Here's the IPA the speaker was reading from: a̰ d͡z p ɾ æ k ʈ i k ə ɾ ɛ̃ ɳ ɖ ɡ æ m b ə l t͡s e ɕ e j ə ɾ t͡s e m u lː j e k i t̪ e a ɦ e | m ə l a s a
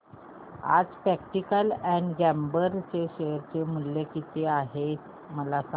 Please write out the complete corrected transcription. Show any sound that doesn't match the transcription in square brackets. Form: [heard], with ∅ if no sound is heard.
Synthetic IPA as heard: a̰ d͡z p ɾ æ k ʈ i k ə [l] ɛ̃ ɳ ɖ ɡ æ m b ə [ɾ] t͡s e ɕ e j ə ɾ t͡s e m u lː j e k i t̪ e a ɦ e | m ə l a s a